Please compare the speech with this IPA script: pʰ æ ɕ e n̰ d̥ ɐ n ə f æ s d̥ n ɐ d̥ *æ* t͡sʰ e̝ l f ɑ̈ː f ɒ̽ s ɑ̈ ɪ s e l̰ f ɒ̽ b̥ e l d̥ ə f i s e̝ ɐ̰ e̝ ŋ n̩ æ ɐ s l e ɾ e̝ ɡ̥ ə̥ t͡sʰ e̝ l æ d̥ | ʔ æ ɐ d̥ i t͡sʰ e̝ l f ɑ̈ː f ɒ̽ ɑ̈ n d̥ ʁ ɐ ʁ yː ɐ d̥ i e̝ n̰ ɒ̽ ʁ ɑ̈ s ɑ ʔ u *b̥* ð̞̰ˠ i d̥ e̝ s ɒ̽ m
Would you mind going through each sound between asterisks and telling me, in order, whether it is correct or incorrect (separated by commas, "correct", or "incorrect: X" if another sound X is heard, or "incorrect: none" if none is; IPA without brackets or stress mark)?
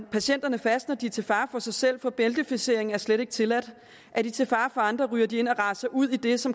incorrect: i, incorrect: none